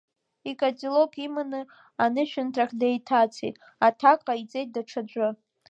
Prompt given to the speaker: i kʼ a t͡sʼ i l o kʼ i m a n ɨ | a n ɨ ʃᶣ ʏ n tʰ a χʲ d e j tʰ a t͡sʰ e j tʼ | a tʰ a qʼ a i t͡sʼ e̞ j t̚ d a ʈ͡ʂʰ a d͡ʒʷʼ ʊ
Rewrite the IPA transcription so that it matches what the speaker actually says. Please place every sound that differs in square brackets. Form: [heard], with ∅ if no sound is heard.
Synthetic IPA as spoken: i kʼ a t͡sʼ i l o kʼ i m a n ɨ | a n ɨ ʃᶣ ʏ n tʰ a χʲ d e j tʰ a t͡sʰ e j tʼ | a tʰ a [kʼ] a i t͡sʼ e̞ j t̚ d a ʈ͡ʂʰ a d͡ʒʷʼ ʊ